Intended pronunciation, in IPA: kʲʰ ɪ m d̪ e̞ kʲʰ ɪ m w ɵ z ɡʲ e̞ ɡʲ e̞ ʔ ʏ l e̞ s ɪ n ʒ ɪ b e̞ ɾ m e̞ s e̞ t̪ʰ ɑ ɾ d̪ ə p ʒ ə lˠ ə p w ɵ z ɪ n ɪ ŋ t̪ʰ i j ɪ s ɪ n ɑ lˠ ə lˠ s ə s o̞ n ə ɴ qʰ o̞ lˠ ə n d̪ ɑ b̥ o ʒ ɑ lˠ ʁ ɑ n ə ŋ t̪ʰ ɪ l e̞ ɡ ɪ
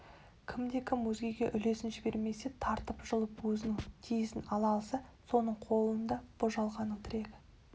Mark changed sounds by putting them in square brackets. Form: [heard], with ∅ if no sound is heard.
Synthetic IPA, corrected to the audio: kʲʰ ɪ m d̪ e̞ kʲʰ ɪ m w ɵ z ɡʲ e̞ ɡʲ e̞ ʔ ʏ l e̞ s ɪ n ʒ ɪ b e̞ ɾ m e̞ s e̞ t̪ʰ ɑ ɾ [t̪] ə p ʒ ə lˠ ə p w ɵ z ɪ n ɪ ŋ t̪ʰ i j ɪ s ɪ n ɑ lˠ [ɑ] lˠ s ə s o̞ n ə ɴ qʰ o̞ lˠ ə n d̪ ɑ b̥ o ʒ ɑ lˠ ʁ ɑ n ə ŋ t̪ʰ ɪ [ɾ] e̞ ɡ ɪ